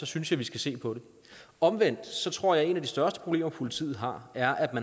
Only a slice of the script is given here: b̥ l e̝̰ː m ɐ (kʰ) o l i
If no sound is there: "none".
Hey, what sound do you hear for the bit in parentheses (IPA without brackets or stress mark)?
pʰ